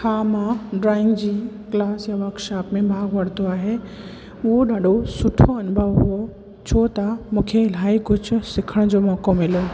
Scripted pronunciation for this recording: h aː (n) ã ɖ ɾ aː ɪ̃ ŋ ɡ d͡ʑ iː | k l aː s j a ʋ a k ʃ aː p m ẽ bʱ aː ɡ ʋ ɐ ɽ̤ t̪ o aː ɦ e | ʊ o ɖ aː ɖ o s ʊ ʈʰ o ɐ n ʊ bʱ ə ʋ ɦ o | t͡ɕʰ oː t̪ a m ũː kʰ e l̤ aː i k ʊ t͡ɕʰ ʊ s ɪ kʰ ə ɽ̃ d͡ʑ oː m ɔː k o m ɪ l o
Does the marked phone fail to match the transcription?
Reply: yes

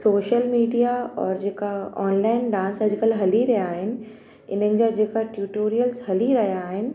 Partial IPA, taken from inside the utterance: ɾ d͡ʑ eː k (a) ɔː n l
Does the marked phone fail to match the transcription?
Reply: no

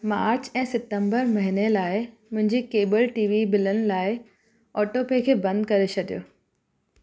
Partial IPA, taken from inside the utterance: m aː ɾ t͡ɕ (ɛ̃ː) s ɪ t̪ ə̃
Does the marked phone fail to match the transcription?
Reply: no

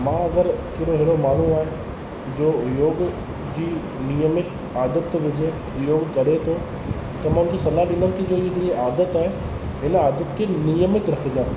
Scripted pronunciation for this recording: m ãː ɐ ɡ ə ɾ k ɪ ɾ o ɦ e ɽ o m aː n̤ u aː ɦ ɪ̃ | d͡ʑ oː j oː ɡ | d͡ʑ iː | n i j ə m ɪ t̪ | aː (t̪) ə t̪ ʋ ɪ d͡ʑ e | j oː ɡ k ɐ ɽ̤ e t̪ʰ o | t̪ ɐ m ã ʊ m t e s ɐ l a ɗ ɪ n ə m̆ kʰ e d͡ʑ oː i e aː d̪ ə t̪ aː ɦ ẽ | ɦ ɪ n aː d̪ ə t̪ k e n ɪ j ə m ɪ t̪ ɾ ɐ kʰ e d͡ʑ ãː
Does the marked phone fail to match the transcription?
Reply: yes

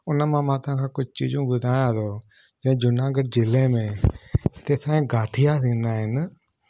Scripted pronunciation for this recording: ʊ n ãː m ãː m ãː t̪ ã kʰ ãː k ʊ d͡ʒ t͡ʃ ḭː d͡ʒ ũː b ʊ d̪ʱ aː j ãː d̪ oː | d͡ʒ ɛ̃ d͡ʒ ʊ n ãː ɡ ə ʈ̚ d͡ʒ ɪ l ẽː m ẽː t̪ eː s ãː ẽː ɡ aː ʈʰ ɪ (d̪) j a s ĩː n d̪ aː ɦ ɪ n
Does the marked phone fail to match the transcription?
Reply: yes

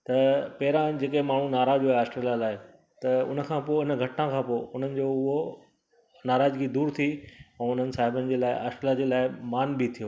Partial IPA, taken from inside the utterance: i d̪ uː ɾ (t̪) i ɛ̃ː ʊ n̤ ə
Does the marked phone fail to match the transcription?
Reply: yes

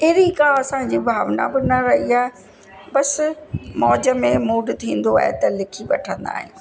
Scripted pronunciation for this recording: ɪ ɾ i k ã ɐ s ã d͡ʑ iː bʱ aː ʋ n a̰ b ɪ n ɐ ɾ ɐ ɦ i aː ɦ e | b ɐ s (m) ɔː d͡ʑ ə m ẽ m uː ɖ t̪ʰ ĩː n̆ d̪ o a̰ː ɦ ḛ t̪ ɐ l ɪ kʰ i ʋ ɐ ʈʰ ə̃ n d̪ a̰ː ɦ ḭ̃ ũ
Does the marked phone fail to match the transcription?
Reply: no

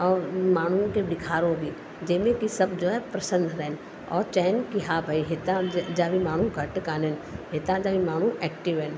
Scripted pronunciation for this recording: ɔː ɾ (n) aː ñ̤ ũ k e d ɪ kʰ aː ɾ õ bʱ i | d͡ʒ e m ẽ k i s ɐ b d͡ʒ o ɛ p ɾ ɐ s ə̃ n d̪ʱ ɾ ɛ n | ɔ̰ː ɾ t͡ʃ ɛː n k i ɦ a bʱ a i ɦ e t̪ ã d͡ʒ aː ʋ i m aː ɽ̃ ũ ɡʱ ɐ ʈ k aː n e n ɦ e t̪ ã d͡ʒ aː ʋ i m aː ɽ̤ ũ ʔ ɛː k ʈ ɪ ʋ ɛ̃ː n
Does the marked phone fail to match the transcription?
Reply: yes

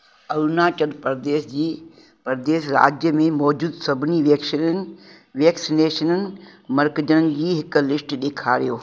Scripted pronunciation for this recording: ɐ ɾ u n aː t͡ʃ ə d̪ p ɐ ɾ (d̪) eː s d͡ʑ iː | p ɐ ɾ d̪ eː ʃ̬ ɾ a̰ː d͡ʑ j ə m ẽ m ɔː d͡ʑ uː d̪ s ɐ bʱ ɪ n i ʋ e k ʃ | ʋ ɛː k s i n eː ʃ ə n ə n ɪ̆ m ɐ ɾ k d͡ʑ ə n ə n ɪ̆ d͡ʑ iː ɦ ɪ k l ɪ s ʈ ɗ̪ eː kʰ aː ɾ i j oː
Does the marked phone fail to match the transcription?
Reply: no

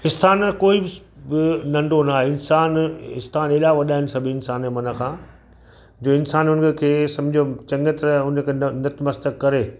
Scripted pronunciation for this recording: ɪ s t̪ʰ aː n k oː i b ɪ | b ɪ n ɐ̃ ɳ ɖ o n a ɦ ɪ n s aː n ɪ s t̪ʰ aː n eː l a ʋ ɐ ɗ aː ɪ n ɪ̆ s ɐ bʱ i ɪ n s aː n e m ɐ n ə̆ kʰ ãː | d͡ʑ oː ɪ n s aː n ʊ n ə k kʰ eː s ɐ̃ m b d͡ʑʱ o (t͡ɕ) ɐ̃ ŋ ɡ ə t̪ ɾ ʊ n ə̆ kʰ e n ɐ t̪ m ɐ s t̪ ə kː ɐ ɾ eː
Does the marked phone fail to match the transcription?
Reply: no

